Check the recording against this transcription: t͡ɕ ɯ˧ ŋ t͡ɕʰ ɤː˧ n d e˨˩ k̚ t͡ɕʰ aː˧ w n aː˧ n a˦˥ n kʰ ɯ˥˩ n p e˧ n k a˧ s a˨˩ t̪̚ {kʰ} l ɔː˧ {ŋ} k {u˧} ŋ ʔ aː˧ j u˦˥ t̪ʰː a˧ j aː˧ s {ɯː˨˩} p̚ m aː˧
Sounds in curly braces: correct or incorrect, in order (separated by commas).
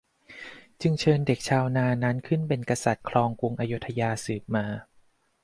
correct, correct, correct, correct